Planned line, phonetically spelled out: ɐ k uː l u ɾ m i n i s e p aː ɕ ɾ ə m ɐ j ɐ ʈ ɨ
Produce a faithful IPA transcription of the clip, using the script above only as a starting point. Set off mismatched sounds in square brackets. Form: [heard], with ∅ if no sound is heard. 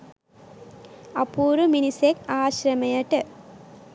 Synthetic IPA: ɐ [p] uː [ɾ] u [∅] m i n i s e [k] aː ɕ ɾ [ɐ] m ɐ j ɐ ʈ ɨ